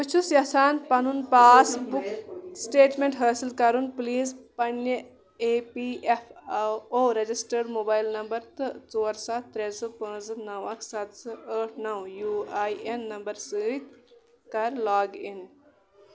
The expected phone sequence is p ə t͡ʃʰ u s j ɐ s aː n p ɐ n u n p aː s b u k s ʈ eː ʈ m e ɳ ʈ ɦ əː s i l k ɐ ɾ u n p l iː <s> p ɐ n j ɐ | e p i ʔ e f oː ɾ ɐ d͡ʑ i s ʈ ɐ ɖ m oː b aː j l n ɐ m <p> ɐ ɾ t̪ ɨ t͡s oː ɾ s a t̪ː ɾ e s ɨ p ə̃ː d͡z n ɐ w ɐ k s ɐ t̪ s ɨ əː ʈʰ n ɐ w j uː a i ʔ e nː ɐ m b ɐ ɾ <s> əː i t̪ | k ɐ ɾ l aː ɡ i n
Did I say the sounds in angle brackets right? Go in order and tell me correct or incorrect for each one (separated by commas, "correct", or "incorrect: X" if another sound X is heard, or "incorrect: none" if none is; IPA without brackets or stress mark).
incorrect: z, incorrect: b, correct